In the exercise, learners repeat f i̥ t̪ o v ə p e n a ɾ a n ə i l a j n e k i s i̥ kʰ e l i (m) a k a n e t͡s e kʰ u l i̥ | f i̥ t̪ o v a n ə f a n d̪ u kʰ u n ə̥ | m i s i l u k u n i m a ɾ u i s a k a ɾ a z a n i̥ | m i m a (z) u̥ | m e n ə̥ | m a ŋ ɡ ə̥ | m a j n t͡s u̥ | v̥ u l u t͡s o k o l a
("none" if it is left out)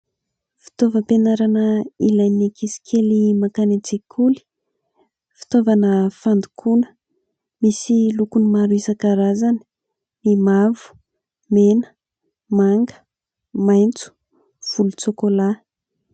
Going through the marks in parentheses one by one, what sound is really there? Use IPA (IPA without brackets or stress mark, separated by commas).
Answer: m, v